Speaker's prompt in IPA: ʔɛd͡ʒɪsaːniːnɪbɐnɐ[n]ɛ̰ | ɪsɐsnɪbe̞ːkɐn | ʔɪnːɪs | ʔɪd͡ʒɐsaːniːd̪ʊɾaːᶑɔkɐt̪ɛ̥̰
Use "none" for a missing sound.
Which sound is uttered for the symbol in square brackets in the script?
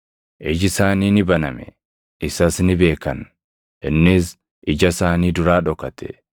m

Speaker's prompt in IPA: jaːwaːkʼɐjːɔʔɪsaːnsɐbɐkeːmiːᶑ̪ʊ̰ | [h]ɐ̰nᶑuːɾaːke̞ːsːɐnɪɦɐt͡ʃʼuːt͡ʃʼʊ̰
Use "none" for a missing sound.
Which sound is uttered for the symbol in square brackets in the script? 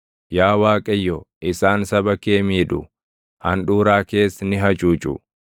h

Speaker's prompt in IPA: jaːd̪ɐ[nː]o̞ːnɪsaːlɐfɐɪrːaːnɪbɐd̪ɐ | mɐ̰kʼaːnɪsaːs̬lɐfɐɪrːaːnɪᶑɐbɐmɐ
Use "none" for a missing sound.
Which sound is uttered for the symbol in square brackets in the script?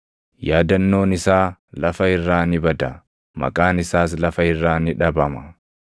nː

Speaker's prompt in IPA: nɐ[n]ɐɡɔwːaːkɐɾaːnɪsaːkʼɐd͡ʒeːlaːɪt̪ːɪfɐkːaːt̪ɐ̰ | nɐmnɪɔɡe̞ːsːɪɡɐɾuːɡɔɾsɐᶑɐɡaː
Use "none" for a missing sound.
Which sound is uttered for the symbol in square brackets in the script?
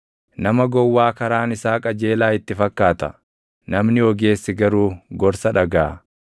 m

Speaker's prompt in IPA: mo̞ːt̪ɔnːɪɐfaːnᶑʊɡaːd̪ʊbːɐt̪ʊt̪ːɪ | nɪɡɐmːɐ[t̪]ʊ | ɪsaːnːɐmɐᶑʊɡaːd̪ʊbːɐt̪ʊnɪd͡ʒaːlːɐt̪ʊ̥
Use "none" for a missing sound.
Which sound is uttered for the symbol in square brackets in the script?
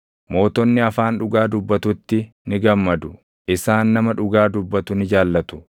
d̪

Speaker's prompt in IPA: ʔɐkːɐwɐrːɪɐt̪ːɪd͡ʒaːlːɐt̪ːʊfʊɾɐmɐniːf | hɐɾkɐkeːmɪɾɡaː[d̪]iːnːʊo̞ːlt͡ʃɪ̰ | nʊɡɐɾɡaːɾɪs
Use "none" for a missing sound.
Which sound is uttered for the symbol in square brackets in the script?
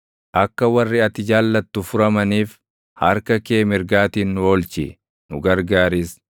t̪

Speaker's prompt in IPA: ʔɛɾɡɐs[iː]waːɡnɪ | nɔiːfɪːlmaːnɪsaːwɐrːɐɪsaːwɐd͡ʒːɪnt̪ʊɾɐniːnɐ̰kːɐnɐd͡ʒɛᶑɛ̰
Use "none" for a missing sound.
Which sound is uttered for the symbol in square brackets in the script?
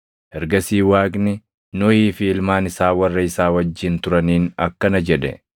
iː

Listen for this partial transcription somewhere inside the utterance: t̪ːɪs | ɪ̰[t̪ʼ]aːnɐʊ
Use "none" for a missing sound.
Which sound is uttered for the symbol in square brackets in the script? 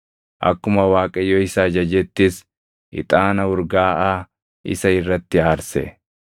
t̪ʼ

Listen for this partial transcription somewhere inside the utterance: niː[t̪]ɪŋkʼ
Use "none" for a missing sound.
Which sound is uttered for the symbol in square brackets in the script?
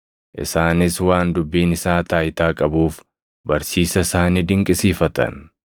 d̪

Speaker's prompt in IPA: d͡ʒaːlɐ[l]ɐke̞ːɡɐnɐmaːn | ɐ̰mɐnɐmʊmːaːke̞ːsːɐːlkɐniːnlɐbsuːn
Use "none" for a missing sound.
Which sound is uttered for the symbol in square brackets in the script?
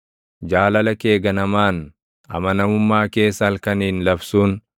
l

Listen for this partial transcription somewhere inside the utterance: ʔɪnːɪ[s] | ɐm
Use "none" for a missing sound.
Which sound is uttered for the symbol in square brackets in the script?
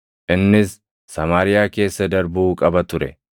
sː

